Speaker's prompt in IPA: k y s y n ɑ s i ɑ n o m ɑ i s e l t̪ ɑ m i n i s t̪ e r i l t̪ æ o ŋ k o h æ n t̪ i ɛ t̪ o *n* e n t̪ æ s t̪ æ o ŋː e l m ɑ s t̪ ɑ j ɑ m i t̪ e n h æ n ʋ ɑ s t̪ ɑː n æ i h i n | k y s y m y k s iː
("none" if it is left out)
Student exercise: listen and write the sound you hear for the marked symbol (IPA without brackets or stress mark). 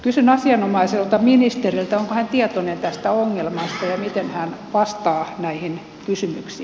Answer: n